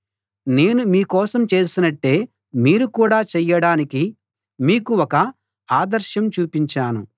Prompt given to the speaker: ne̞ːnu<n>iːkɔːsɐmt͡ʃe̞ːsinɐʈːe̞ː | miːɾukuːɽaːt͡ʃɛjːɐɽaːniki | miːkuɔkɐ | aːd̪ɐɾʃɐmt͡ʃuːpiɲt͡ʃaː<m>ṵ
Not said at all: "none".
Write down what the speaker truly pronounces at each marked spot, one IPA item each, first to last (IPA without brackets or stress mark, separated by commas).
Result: m, n